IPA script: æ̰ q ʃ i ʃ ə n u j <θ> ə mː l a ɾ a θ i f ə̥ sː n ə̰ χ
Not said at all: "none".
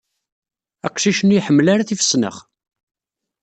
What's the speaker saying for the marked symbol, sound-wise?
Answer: ħ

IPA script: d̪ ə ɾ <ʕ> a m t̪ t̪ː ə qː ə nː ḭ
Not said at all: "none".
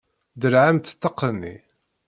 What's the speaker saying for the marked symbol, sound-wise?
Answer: ʕ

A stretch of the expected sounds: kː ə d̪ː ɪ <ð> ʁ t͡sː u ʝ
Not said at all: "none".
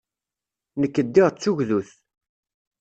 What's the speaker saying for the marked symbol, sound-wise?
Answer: none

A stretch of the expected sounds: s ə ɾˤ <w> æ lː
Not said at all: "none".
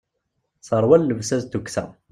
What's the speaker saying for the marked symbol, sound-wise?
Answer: w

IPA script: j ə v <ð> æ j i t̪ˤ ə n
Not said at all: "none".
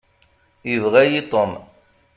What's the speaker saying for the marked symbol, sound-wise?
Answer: ʁ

